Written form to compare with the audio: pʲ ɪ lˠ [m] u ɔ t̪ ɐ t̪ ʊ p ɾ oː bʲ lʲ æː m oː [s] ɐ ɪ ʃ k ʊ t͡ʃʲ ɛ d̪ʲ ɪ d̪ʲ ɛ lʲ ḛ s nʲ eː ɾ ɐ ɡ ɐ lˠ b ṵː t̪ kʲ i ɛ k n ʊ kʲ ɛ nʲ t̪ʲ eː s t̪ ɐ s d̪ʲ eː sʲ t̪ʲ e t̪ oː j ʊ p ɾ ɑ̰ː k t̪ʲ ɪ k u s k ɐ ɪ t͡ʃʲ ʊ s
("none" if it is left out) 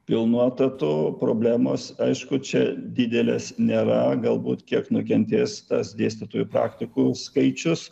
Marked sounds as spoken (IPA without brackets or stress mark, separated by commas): n, s